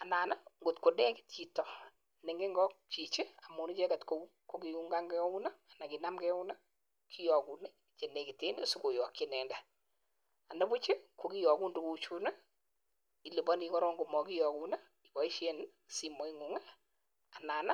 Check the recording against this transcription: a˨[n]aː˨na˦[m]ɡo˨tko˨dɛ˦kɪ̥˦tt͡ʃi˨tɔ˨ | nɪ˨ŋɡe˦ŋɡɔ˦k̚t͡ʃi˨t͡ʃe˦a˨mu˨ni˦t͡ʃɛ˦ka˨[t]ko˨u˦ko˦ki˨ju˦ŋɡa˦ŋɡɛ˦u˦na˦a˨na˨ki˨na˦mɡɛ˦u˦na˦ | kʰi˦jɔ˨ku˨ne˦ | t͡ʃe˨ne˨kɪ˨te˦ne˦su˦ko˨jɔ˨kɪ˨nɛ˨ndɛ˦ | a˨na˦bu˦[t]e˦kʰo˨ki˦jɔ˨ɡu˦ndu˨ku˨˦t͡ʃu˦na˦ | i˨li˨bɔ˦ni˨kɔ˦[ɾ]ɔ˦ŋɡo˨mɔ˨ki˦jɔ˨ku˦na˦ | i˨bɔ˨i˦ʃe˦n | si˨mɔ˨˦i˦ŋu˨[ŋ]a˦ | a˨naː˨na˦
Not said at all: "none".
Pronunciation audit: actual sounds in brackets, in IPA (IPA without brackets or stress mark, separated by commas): n, ŋ, t, t͡ʃ, ɾ, ŋ